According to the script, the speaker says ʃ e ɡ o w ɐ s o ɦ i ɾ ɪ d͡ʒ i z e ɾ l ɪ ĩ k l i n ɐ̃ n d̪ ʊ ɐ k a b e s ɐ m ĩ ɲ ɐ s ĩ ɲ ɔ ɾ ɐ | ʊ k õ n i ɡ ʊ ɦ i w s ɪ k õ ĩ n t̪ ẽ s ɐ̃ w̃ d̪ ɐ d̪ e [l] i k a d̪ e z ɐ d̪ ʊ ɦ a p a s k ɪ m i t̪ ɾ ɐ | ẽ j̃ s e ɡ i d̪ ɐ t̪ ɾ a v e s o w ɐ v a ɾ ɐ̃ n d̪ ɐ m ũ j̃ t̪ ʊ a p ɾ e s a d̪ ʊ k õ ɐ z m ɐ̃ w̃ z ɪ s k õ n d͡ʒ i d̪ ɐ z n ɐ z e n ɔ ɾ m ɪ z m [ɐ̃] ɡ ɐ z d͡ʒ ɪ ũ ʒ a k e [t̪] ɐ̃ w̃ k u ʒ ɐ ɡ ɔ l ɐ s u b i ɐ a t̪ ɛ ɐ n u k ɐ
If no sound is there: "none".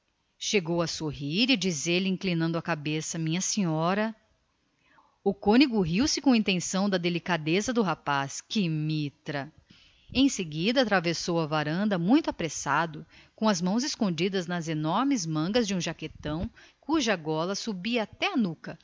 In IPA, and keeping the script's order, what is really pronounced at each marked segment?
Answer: l, ɐ̃, t̪

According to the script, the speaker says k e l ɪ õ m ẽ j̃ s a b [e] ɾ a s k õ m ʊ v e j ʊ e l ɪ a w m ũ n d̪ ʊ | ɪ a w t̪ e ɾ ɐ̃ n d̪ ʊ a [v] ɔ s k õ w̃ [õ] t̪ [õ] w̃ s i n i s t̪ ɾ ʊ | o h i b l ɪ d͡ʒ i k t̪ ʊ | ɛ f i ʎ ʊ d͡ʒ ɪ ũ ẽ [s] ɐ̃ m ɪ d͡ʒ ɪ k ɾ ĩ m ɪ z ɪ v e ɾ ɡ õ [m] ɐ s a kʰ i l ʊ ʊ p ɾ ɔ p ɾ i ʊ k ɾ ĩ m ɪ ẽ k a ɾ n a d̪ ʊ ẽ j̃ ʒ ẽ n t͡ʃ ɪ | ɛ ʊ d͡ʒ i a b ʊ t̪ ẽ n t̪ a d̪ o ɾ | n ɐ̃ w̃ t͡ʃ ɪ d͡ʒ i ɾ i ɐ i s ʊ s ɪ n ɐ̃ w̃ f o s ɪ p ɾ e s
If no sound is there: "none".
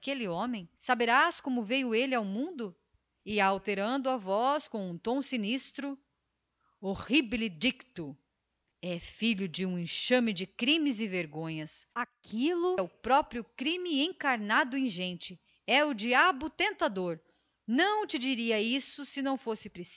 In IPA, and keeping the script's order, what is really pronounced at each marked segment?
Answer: e, v, ũ, õ, ʃ, ɲ

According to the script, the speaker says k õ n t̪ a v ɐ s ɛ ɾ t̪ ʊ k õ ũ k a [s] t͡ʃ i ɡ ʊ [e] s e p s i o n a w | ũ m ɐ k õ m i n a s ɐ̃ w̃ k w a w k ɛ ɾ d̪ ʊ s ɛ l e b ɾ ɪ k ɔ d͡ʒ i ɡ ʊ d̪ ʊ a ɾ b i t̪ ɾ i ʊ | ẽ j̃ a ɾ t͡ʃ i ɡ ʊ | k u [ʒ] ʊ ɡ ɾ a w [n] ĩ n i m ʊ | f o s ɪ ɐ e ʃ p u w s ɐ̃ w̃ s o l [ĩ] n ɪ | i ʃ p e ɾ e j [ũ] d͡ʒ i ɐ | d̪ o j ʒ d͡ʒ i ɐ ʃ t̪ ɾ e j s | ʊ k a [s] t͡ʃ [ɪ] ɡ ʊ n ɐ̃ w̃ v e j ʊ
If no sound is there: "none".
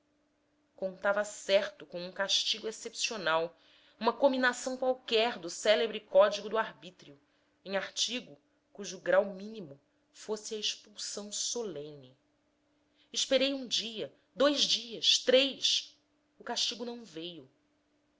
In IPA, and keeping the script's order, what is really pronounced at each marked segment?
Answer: ʃ, e, ʒ, m, ẽ, ũ, ʃ, i

